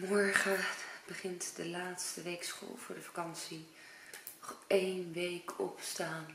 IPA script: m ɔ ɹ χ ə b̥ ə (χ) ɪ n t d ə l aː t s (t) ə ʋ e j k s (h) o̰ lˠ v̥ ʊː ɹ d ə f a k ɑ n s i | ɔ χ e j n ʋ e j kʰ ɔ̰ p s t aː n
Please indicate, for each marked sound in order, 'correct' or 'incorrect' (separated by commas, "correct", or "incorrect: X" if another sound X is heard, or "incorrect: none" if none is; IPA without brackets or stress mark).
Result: correct, correct, incorrect: χ